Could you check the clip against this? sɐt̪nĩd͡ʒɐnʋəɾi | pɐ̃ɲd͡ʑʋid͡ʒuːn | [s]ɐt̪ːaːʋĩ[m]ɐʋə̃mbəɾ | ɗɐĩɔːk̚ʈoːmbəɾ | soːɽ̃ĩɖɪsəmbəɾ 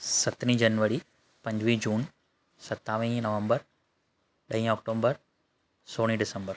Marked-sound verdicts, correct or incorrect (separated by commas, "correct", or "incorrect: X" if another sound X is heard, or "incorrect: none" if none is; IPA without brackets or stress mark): correct, incorrect: n